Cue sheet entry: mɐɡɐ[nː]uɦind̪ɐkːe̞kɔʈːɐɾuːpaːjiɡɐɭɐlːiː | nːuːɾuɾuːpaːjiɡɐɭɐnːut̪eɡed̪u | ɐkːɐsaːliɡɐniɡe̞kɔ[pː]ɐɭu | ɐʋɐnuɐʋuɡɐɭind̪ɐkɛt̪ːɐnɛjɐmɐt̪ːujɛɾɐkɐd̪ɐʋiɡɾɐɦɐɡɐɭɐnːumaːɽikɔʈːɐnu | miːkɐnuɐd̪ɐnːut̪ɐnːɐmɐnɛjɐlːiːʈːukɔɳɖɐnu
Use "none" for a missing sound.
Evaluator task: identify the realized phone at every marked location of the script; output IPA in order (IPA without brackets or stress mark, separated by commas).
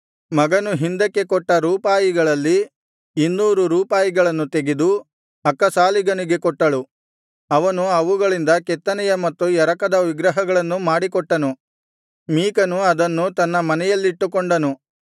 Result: n, ʈː